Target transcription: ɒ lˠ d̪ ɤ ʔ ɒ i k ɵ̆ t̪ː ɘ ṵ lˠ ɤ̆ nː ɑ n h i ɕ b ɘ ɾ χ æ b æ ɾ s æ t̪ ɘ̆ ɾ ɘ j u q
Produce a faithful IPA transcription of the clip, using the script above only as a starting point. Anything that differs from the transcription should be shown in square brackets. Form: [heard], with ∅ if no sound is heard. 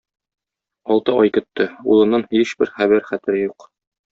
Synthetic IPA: ɒ lˠ [t̪] ɤ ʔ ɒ [j] k ɵ̆ t̪ː ɘ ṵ lˠ ɤ̆ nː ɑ n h i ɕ b ɘ ɾ χ æ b æ ɾ [χ] æ t̪ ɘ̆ ɾ ɘ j u q